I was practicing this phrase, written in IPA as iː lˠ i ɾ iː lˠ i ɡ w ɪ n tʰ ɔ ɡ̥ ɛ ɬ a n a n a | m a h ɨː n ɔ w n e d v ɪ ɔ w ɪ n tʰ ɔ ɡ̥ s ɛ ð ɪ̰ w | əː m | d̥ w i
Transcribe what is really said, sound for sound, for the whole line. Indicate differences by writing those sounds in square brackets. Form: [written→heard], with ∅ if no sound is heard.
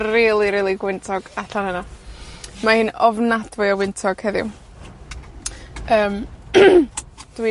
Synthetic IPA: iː lˠ i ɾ iː lˠ i ɡ w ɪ n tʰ ɔ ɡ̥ [ɛ→a] ɬ a n [a→ə] n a | m a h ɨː n ɔ [w→v] n [e→a] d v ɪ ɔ w ɪ n tʰ ɔ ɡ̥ [s→h] ɛ ð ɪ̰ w | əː m | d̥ w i